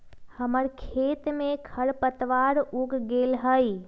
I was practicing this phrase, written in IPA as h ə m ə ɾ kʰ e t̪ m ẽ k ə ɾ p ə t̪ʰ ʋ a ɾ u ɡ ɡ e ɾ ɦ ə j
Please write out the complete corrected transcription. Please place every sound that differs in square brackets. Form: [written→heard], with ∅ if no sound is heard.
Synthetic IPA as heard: h ə m ə ɾ kʰ e t̪ m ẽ [k→kʰ] ə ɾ p ə [t̪ʰ→t̪] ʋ a ɾ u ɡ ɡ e [ɾ→l] ɦ ə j